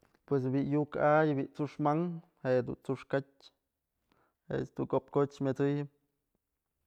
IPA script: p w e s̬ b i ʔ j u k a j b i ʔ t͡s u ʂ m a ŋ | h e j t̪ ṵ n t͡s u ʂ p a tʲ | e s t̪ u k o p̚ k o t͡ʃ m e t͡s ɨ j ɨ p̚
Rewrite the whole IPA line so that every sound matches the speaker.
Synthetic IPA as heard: p w e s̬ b i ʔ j u k a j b i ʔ t͡s u ʂ m a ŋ | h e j d̪ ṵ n t͡s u ʂ k a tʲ | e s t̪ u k o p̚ k o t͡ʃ m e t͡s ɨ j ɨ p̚